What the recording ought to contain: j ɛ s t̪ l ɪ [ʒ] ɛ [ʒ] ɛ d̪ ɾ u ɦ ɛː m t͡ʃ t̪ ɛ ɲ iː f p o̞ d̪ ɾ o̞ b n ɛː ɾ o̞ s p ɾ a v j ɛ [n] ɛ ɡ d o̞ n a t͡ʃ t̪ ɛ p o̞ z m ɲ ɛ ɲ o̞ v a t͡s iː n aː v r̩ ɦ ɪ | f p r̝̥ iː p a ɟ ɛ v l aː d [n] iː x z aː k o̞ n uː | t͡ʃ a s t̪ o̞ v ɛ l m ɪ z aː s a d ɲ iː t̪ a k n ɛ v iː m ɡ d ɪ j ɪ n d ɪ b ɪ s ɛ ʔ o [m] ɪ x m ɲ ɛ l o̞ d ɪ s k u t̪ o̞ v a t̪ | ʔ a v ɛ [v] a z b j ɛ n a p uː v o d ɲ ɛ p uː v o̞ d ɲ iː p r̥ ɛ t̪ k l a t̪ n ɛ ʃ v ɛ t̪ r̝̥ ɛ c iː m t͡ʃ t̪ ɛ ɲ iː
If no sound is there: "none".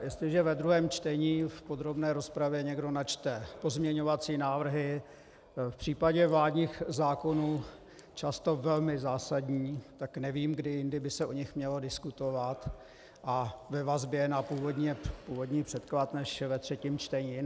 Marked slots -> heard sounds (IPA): ʒ, v, ɲ, ɲ, ɲ, v

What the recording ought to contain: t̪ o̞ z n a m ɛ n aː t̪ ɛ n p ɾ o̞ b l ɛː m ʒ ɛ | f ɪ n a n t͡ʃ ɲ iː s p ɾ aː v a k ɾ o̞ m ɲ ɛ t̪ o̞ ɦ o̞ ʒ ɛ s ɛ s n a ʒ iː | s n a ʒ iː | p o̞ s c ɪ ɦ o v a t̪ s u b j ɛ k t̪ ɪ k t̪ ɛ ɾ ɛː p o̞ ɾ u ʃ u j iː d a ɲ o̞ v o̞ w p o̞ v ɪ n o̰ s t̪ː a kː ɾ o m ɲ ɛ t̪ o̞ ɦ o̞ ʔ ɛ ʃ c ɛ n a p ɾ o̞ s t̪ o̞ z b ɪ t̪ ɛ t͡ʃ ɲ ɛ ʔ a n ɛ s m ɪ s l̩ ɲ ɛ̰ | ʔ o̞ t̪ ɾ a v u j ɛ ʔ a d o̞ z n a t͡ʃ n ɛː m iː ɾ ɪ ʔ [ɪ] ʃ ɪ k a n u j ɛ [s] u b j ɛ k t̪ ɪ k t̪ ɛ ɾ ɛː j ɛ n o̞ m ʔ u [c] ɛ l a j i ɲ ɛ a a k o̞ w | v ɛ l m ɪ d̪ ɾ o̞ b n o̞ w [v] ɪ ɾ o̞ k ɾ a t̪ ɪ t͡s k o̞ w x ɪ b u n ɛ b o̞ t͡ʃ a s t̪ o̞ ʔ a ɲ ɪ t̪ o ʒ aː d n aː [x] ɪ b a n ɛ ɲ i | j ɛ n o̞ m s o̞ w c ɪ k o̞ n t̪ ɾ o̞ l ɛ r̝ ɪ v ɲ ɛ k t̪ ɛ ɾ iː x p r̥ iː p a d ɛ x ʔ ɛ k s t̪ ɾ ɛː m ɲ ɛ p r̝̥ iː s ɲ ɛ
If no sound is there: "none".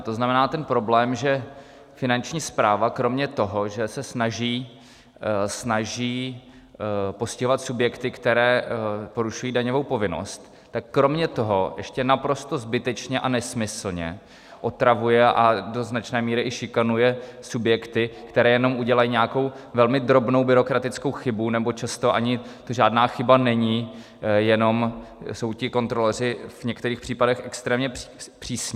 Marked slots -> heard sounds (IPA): ɪ, s, ɟ, b, x

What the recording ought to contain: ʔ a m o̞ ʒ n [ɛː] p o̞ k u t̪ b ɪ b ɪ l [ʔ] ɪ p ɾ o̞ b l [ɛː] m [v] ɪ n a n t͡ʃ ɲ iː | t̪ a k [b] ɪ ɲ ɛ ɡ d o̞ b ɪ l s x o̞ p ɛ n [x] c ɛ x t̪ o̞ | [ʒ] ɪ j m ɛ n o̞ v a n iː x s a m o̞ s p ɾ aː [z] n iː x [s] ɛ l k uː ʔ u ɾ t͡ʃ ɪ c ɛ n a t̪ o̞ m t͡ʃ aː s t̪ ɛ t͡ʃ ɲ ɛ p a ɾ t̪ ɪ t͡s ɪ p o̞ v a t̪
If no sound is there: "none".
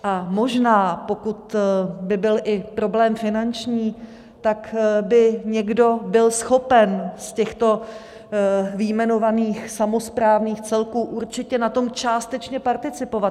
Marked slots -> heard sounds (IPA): aː, ʔ, ɛː, f, b, s, v, v, t͡s

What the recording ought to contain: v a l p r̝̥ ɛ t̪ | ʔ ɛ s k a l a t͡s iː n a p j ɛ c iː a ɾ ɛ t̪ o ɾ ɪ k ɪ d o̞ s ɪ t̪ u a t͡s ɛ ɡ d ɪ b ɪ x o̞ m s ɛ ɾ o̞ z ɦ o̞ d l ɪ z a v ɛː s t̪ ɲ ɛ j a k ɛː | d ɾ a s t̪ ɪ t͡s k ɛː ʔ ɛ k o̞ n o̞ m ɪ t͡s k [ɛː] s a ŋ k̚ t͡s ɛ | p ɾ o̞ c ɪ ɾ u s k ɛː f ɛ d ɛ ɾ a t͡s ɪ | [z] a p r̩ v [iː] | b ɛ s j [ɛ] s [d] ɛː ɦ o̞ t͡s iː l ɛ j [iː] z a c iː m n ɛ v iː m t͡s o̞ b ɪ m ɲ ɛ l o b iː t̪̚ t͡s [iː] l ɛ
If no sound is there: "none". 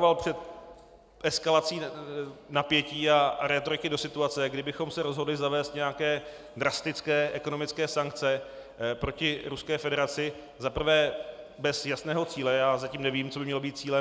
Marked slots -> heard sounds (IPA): ɛː, z, ɛː, a, n, aː, iː

